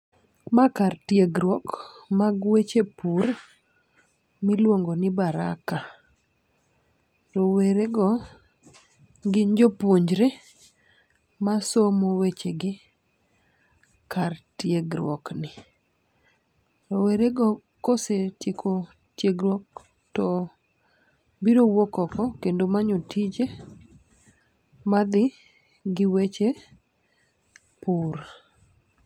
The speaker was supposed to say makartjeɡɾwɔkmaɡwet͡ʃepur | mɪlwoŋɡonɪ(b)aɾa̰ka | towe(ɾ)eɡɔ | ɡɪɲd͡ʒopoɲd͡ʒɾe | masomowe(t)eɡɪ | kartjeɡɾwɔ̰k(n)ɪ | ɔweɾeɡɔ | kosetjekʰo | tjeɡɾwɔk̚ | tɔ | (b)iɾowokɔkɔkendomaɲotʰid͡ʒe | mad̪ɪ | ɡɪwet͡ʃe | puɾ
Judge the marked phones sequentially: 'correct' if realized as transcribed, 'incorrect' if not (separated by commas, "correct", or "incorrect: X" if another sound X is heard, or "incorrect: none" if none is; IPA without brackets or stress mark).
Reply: correct, correct, incorrect: t͡ʃ, correct, correct